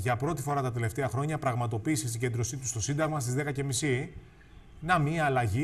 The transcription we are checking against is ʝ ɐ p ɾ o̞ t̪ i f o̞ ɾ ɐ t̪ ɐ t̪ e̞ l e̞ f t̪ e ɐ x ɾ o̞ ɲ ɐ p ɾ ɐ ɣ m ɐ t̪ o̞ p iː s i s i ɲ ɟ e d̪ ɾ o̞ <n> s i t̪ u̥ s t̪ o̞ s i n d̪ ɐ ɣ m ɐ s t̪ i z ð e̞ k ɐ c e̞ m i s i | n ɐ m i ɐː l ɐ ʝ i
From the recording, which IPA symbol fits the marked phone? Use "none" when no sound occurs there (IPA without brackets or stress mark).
none